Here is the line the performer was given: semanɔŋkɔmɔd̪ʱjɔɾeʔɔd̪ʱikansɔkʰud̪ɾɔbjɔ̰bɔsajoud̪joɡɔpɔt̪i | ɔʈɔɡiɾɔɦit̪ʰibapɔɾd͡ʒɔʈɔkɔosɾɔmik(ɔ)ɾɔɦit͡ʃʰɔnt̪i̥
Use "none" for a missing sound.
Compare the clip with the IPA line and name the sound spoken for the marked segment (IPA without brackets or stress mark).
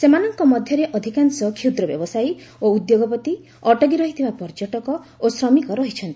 ɔ